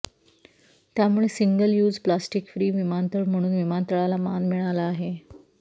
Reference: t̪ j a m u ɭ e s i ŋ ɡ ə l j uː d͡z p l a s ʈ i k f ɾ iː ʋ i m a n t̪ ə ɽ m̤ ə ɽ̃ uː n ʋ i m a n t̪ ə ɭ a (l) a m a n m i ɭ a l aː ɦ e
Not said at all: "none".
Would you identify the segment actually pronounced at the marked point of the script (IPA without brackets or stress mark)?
l